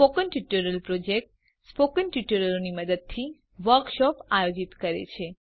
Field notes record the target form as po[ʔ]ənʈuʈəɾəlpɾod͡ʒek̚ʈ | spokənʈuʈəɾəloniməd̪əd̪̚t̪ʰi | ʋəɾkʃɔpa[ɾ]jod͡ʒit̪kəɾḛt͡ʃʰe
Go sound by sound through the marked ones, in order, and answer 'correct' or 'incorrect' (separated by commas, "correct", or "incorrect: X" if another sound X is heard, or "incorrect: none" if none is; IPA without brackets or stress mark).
incorrect: k, incorrect: none